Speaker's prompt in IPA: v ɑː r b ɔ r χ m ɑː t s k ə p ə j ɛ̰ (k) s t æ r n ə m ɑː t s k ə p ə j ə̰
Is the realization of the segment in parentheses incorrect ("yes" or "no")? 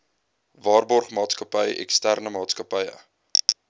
no